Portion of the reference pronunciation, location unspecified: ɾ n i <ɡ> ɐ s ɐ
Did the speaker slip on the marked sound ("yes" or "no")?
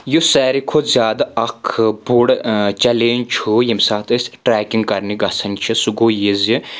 no